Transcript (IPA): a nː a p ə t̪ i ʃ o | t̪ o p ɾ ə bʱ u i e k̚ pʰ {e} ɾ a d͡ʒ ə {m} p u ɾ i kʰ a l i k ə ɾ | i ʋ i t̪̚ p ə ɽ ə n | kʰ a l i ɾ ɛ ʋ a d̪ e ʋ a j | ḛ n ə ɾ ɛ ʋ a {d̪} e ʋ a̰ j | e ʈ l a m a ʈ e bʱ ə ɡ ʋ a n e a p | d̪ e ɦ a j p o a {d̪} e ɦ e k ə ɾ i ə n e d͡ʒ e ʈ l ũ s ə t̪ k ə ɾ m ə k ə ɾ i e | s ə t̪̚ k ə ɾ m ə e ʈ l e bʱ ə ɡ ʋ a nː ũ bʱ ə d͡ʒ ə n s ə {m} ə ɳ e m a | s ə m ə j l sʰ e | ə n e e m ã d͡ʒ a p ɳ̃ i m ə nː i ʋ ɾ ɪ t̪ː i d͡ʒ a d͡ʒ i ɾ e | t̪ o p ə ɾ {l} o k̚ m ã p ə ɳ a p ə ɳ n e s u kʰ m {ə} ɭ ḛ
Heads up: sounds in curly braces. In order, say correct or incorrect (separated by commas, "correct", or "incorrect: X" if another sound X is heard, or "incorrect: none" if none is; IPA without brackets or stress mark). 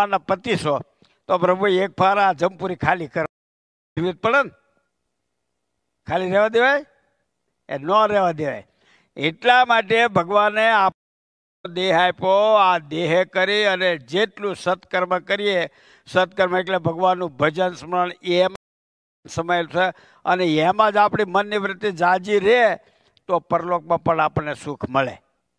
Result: incorrect: a, correct, correct, correct, correct, correct, correct